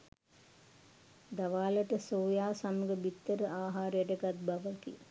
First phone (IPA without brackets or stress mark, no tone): d̪